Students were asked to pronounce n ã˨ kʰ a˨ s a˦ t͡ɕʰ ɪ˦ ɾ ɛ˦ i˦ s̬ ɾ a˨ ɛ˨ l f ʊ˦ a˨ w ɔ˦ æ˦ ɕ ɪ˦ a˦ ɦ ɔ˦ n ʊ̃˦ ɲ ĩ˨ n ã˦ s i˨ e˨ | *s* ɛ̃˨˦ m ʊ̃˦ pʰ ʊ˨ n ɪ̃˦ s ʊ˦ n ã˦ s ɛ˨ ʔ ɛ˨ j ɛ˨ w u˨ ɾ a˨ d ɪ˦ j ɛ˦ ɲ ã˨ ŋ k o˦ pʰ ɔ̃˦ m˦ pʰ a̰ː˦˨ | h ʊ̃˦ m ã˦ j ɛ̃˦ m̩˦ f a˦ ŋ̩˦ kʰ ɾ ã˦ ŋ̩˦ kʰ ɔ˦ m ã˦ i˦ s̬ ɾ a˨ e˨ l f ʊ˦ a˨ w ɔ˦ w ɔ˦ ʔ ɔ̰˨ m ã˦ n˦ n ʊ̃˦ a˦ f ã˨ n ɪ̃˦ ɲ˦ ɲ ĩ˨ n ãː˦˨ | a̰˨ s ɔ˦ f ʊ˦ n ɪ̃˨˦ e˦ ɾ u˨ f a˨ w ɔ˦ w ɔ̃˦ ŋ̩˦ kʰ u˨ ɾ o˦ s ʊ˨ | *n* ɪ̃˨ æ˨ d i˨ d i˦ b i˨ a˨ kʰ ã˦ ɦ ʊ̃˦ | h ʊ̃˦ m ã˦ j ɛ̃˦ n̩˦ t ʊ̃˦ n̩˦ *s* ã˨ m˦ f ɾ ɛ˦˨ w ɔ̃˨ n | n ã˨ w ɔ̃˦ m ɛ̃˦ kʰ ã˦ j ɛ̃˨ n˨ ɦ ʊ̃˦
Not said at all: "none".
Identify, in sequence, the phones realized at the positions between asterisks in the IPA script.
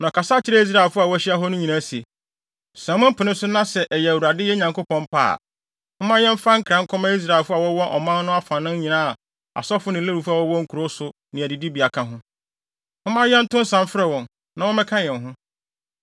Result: s, n, s

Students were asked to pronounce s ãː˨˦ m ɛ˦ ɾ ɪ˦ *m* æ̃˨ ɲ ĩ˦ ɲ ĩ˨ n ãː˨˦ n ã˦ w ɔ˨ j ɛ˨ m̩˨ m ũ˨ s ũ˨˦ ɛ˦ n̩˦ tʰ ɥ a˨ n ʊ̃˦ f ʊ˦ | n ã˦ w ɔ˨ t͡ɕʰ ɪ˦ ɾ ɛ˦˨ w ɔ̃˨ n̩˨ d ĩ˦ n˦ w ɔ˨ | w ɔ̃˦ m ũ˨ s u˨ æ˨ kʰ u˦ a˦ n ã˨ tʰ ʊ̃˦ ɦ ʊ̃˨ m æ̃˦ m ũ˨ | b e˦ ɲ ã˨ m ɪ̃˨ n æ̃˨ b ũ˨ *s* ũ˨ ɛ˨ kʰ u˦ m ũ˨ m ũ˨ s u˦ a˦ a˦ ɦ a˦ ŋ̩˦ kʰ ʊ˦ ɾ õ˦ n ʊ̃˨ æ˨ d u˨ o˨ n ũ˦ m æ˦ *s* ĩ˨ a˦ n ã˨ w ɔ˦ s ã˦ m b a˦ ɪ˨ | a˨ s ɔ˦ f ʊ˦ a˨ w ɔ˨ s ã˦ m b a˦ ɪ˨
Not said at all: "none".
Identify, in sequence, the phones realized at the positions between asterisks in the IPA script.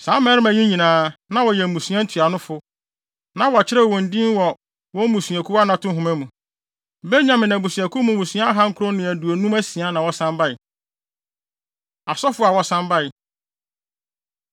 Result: m, s, s

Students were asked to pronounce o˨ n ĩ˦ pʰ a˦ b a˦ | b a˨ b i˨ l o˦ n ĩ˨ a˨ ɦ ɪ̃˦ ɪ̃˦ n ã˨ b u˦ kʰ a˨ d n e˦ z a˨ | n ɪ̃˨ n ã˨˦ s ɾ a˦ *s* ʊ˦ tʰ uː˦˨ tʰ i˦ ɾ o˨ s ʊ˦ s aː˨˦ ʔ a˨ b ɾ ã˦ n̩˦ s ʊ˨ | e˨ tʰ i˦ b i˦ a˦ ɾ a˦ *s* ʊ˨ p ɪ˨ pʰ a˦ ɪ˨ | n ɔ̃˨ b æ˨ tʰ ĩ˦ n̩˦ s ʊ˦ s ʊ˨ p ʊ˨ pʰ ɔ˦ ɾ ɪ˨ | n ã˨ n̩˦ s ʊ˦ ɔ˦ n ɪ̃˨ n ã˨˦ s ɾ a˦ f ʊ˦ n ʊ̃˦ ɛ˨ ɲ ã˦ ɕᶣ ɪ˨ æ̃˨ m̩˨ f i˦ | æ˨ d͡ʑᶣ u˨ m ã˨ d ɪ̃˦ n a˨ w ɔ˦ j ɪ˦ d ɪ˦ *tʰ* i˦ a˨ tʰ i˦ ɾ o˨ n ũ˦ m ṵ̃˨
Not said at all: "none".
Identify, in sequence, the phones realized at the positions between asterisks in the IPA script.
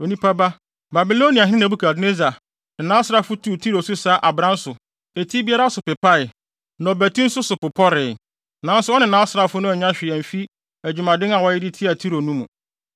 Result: f, s, tʰ

